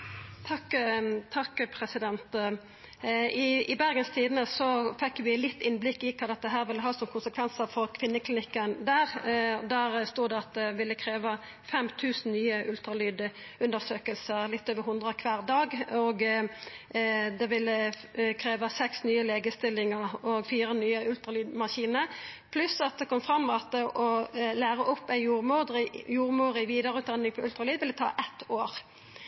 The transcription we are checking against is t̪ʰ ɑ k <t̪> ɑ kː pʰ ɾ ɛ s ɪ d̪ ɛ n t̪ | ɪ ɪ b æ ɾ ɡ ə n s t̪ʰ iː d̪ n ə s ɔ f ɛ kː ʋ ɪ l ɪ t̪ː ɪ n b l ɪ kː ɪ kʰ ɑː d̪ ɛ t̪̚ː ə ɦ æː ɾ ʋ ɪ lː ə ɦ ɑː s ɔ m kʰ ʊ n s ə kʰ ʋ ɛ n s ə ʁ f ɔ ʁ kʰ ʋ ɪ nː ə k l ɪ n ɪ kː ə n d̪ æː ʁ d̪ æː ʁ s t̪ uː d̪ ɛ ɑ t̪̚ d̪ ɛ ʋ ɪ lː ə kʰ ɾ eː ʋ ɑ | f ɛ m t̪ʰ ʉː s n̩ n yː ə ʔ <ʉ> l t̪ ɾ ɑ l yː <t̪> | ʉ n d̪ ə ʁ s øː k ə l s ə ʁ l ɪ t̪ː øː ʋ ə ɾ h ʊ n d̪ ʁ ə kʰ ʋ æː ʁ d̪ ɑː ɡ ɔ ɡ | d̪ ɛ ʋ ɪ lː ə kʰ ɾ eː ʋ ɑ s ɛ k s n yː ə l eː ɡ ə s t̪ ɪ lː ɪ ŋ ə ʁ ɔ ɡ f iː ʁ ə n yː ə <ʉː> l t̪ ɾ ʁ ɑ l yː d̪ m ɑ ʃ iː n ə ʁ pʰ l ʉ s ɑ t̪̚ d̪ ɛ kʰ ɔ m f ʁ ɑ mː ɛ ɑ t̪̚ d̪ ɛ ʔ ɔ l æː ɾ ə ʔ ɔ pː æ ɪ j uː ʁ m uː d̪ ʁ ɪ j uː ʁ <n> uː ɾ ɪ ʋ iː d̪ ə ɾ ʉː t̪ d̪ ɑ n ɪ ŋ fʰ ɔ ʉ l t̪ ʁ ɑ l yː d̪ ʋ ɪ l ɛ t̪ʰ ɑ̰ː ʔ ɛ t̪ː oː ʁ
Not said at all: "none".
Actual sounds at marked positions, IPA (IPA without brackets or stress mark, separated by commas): t̪ʰ, ʉ, d̪, ʉ, m